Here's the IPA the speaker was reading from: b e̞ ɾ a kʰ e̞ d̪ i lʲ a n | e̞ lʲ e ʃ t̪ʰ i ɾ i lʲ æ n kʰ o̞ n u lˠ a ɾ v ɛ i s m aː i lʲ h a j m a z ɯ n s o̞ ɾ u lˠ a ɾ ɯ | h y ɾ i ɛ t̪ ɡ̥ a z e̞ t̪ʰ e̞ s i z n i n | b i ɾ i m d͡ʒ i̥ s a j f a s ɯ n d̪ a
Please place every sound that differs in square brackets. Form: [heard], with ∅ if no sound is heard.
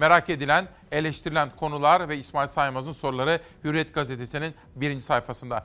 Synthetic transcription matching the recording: [m] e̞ ɾ a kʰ e̞ d̪ i lʲ [æ] n | e̞ lʲ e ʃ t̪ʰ i ɾ i lʲ æ n kʰ o̞ n u lˠ a ɾ v ɛ i s m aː i lʲ [s] a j m a z ɯ n s o̞ ɾ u lˠ a ɾ ɯ | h y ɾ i ɛ t̪ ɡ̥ a z e̞ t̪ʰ e̞ s i [∅] n i n | b i ɾ i [n] d͡ʒ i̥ s a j f a s ɯ n d̪ a